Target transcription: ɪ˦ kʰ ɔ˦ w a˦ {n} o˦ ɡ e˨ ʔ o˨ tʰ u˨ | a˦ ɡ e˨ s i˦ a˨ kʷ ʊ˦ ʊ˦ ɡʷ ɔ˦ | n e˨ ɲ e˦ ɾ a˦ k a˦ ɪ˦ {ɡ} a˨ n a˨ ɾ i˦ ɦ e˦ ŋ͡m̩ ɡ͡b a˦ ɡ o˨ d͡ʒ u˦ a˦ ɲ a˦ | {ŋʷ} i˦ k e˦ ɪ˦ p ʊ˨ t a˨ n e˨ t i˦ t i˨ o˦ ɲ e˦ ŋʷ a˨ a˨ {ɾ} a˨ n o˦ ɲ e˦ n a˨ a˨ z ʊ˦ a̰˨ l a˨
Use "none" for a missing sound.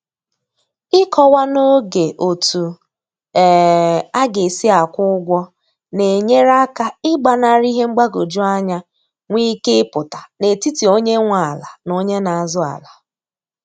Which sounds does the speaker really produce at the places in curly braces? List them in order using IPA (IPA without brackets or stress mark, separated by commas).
n, ɡ͡b, ŋʷ, l